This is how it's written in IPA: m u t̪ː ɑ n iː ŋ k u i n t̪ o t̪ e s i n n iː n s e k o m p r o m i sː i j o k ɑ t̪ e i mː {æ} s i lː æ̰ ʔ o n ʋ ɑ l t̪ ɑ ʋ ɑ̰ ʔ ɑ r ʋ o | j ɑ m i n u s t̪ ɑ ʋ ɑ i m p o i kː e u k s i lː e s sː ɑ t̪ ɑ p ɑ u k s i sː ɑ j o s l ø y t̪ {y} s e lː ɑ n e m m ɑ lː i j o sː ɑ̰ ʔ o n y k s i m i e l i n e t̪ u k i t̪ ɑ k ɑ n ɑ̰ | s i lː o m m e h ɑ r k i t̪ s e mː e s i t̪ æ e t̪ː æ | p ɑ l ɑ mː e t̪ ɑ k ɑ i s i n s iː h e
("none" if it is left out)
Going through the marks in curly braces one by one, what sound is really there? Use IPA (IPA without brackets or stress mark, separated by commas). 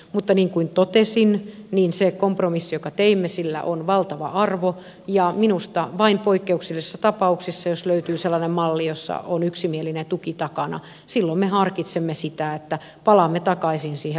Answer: e, yː